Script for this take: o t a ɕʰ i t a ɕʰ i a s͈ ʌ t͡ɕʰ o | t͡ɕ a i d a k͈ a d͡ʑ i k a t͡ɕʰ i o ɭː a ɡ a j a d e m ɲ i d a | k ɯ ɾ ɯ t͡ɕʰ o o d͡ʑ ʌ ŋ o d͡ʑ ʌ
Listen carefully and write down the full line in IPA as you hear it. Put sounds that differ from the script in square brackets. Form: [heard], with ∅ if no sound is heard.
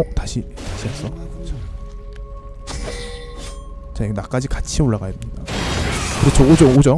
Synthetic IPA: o t a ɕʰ i t a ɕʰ i a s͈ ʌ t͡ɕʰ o | t͡ɕ a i [n] a k͈ a d͡ʑ i k a t͡ɕʰ i o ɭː a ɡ a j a d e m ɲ i d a | k ɯ ɾ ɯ t͡ɕʰ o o d͡ʑ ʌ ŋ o d͡ʑ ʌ